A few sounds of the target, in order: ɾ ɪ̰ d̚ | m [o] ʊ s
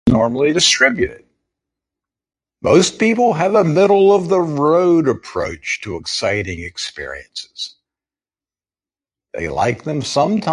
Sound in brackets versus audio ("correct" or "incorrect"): correct